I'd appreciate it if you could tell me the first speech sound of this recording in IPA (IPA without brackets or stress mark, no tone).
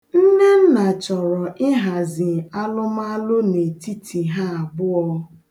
n̩